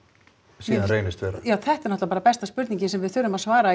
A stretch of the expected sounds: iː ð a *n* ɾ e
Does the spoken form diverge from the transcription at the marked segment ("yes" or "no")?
no